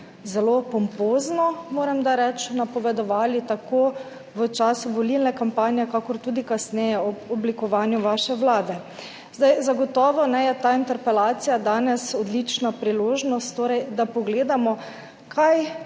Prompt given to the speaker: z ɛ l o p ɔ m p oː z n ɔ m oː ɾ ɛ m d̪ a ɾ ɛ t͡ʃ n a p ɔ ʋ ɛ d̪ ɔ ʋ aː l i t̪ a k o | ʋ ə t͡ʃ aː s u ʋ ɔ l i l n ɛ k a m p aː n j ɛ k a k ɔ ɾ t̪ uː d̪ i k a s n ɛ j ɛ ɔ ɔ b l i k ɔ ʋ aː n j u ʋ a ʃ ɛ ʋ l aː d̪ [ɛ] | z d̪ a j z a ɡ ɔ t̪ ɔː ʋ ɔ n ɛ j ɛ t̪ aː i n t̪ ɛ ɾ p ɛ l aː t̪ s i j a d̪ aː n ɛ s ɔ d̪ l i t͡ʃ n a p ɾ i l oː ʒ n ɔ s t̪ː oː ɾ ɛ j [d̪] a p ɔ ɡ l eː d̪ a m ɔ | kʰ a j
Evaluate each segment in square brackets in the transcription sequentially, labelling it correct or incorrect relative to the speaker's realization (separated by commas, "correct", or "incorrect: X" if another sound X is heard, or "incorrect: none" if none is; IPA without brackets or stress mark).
correct, correct